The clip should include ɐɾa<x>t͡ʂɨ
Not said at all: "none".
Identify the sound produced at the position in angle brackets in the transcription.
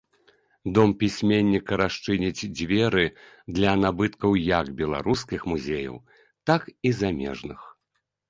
ʂ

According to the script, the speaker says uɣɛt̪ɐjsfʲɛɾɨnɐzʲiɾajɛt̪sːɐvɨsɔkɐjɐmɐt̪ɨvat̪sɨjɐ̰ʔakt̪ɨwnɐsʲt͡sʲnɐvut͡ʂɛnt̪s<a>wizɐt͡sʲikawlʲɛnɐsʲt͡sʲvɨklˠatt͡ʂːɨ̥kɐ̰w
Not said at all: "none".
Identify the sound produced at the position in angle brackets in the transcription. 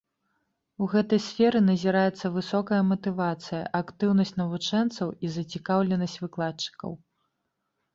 ɐ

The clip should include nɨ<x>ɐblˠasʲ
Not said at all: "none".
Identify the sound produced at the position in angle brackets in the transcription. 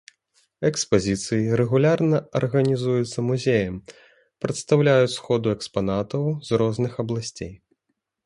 x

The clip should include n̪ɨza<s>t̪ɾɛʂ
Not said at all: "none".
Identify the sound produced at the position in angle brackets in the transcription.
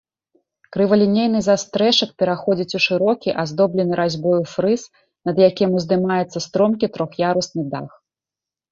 s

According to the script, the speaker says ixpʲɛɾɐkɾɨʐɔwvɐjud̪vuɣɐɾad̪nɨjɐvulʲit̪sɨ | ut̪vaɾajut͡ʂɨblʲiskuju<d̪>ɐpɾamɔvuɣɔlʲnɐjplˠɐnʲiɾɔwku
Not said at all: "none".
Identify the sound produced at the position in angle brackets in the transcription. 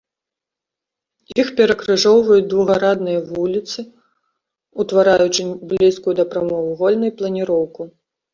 d̪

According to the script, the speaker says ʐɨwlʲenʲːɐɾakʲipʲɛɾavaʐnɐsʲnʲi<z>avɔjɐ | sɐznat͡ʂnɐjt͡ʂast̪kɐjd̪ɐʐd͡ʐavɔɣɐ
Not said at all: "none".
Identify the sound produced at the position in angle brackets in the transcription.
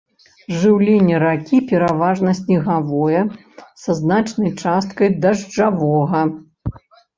ɣ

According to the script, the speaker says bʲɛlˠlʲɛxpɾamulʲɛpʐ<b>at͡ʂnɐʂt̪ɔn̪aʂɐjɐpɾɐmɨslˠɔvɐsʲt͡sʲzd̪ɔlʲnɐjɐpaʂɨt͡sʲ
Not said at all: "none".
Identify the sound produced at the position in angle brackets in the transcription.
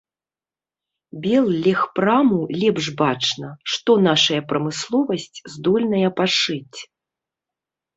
b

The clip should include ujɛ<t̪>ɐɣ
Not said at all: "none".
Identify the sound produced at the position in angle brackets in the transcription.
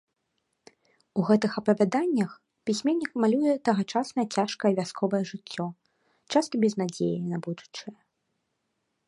t̪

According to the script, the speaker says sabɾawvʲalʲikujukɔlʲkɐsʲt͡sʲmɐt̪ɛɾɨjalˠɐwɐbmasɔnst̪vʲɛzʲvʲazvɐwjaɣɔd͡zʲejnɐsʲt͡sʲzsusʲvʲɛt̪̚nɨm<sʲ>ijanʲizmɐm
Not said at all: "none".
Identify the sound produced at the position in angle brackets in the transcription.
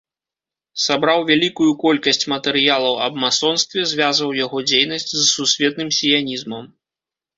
sʲ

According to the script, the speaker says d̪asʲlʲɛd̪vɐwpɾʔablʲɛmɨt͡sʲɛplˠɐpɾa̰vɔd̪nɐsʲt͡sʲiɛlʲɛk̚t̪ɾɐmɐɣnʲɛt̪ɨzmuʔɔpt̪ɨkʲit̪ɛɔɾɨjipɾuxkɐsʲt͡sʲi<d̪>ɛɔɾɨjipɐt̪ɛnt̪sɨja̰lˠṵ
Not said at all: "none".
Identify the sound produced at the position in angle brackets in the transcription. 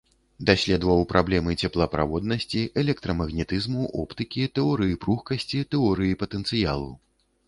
t̪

